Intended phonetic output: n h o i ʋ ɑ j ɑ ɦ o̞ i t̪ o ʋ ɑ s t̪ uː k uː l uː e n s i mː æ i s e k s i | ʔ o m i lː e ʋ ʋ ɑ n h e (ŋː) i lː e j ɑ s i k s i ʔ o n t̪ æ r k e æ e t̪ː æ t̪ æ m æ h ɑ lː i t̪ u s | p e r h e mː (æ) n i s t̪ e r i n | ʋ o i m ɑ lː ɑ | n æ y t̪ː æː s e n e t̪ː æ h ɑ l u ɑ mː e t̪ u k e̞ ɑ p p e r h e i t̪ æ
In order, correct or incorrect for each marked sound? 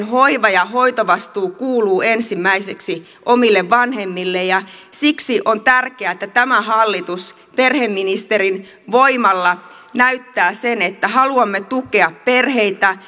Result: incorrect: mː, incorrect: i

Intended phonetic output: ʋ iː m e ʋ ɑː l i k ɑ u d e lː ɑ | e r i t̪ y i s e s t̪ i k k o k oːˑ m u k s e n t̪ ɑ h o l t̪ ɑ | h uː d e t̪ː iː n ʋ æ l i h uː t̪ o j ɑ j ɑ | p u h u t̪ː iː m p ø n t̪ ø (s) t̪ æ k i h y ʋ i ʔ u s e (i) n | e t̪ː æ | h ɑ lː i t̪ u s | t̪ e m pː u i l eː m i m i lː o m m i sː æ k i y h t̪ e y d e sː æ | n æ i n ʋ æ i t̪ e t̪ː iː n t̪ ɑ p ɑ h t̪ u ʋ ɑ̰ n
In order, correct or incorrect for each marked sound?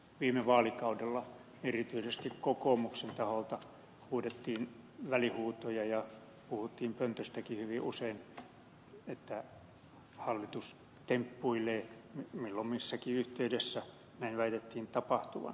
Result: correct, correct

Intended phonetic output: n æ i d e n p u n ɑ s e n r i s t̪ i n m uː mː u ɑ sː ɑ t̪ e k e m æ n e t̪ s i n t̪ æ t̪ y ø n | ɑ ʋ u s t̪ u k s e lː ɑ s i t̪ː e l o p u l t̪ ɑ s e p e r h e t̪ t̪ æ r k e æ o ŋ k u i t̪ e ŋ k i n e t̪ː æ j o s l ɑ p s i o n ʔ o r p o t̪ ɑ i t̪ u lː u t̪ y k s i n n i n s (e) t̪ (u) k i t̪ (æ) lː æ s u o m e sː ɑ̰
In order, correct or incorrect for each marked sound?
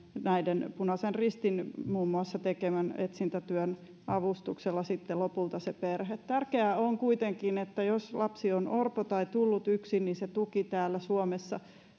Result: correct, correct, incorrect: æː

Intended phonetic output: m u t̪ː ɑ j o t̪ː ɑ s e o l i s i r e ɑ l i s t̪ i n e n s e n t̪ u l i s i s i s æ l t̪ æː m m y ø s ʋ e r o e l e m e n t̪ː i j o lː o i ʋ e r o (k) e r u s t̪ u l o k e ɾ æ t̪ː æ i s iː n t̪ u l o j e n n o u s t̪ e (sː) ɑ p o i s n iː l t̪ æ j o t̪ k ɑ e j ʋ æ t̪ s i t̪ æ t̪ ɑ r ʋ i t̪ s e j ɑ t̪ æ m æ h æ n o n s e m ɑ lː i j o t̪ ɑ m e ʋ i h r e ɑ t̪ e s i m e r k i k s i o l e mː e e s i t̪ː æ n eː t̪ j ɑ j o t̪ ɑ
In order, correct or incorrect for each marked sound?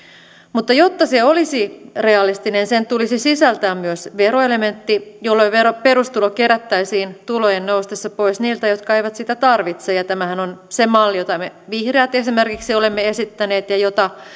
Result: incorrect: p, correct

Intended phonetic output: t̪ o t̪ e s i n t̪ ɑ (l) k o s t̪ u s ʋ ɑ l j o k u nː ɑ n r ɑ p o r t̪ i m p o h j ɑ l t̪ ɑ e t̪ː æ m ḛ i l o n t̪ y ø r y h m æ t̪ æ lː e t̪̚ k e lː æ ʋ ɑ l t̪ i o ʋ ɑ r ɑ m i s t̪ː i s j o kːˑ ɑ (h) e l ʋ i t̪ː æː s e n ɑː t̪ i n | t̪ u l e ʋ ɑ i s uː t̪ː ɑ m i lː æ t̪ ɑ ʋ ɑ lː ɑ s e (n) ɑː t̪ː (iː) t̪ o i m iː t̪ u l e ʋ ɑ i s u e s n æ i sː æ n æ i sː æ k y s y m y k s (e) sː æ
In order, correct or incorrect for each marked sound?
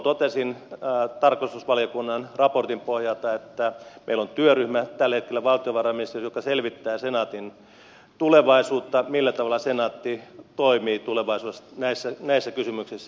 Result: incorrect: r, incorrect: s, correct, incorrect: i, incorrect: i

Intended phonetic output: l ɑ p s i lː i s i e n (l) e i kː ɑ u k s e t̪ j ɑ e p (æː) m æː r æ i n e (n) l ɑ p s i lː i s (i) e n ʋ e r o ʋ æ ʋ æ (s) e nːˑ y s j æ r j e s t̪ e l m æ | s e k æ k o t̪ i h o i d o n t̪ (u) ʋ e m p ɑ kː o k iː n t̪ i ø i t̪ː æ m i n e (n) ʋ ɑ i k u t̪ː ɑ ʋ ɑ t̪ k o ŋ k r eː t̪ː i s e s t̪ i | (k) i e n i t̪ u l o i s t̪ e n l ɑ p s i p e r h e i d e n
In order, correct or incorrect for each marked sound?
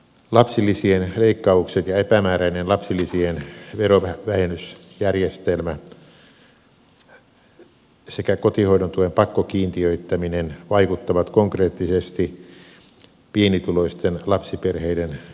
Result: correct, incorrect: æ, correct, correct, incorrect: h, correct, correct, incorrect: p

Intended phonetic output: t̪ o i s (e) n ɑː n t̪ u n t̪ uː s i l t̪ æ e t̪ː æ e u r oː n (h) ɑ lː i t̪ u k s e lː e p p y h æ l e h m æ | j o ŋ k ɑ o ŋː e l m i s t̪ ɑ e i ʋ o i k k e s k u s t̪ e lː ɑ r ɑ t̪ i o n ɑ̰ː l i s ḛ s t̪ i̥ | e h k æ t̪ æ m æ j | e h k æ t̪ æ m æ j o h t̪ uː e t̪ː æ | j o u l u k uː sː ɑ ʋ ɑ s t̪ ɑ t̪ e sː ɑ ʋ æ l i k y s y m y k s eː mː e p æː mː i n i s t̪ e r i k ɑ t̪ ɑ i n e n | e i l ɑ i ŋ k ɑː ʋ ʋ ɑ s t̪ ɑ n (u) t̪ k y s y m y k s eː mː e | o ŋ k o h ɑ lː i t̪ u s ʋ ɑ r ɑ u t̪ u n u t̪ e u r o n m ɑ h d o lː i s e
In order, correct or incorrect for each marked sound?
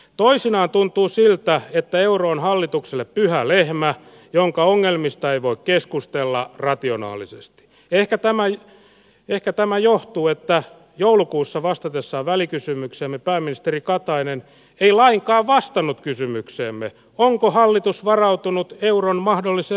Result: incorrect: i, correct, correct

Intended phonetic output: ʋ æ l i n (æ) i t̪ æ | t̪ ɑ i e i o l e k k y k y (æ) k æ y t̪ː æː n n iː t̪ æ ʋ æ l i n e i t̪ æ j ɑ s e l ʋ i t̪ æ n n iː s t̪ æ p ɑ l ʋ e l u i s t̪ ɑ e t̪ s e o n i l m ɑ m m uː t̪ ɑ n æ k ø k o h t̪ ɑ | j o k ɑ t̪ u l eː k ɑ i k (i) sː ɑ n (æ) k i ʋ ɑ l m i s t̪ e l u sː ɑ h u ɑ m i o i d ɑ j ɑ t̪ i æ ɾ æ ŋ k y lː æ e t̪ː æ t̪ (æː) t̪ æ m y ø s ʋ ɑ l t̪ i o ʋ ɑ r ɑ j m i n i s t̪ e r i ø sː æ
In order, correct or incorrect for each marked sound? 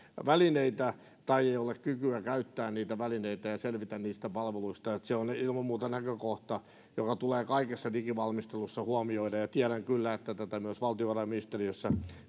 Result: incorrect: e, correct, incorrect: e, incorrect: i, incorrect: æ

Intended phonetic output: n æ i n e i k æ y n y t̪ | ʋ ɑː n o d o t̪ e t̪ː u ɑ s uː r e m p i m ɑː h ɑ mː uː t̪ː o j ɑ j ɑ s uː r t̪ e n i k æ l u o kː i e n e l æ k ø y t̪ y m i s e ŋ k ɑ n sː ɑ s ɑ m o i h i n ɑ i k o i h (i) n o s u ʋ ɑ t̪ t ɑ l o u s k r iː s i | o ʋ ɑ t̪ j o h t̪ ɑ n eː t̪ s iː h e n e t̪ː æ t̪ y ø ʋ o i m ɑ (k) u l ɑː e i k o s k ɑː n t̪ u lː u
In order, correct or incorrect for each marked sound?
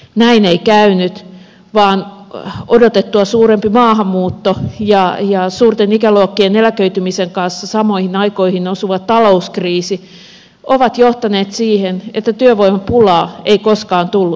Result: correct, incorrect: p

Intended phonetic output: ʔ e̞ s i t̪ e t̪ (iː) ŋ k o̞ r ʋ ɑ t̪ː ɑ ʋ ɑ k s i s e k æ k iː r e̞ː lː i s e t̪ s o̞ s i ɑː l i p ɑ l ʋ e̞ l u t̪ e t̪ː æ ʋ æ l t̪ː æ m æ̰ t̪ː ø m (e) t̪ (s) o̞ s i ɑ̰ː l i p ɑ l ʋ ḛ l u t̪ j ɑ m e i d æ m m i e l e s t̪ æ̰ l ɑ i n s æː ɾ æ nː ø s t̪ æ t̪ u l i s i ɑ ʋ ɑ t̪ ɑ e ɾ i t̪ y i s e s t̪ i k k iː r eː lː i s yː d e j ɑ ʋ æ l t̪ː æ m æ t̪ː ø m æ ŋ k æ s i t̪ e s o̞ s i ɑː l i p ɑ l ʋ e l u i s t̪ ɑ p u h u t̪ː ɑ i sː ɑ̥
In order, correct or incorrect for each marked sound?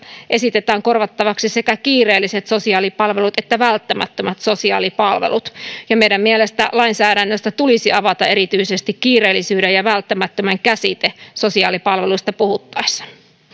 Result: incorrect: æː, incorrect: æ, correct

